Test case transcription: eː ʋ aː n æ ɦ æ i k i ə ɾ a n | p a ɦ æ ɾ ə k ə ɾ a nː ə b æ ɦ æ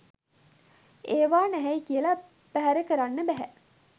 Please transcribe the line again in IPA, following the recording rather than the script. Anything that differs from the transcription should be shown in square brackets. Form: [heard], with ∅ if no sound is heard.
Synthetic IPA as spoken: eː ʋ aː n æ ɦ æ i k i ə [l] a [∅] | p [æ] ɦ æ ɾ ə k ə ɾ a nː ə b æ ɦ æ